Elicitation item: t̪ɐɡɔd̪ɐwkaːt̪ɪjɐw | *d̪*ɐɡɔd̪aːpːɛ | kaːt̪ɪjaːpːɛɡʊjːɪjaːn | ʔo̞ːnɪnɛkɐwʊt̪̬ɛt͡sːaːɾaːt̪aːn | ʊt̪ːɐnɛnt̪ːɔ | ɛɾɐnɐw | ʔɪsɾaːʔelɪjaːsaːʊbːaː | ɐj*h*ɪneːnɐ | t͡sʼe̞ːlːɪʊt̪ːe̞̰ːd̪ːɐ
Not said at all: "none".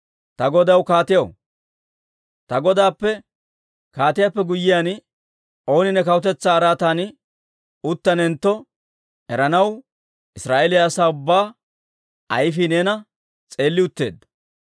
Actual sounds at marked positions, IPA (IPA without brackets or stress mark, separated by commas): t̪, f